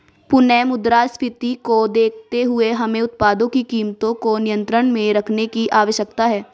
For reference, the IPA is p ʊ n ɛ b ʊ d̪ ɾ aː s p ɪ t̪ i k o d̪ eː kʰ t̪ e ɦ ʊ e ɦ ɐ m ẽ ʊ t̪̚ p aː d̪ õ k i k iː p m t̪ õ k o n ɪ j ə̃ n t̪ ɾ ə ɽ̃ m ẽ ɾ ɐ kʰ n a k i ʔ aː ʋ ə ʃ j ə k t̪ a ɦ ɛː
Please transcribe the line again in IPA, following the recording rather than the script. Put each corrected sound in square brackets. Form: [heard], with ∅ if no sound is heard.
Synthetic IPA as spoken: p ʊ n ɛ [m] ʊ d̪ ɾ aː s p ɪ t̪ i k o d̪ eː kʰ t̪ e ɦ ʊ e ɦ ɐ m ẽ ʊ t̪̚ p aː d̪ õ k i k iː [∅] m t̪ õ k o n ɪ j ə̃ n t̪ ɾ ə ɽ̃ m ẽ ɾ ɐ kʰ n [e] k i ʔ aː ʋ ə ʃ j ə k t̪ a ɦ ɛː